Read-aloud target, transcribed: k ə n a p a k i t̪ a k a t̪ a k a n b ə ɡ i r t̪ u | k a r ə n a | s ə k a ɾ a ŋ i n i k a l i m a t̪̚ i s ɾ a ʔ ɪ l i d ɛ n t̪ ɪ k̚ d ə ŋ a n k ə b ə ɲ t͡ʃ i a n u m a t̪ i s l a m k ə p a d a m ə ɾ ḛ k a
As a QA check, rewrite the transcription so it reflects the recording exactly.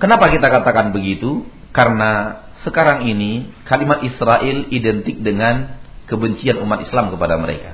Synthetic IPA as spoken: k ə n a p a k i t̪ a k a t̪ a k a n b ə ɡ i t̪ u | k a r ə n a | s ə k a ɾ a ŋ i n i k a l i m a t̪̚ i s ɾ a ʔ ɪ l i d ɛ n t̪ ɪ k̚ d ə ŋ a n k ə b ə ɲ t͡ʃ i a n u m a t̪ i s l a m k ə p a d a m ə ɾ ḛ k a